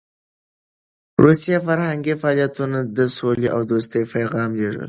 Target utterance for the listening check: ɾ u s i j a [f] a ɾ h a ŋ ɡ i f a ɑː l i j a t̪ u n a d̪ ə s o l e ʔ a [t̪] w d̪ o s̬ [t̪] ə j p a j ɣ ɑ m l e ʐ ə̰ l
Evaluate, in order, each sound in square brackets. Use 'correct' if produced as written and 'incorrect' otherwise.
correct, incorrect, correct

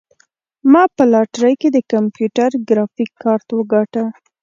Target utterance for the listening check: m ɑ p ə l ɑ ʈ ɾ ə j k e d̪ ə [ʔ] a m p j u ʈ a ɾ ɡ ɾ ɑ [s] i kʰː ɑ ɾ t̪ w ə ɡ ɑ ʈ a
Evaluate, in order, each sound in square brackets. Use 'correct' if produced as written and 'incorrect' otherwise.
incorrect, incorrect

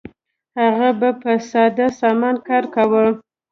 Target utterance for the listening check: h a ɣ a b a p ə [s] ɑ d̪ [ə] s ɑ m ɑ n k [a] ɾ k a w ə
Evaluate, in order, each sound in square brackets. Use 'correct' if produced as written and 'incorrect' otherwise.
correct, incorrect, incorrect

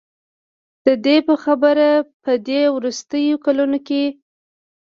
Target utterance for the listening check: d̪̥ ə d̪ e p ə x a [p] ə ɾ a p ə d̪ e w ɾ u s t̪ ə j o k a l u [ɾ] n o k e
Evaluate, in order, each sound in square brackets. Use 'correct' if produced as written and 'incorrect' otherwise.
incorrect, incorrect

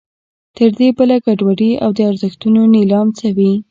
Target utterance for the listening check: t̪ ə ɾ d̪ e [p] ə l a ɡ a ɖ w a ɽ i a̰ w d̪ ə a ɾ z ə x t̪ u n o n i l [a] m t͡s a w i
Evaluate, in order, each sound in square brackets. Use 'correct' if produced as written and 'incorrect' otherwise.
incorrect, incorrect

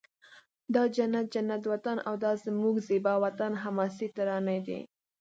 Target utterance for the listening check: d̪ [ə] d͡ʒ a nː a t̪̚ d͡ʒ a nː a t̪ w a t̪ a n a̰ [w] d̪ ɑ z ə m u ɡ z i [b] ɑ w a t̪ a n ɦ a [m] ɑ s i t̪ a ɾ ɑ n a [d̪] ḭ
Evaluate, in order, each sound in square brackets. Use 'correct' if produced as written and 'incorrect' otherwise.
incorrect, correct, correct, correct, correct

